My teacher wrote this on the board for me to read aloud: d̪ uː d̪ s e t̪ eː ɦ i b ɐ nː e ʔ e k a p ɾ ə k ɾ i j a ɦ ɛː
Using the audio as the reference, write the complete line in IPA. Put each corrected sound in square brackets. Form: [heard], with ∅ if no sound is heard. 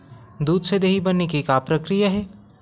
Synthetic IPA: d̪ uː d̪ s e [d̪] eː ɦ i b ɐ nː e [k] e k a p ɾ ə k ɾ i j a ɦ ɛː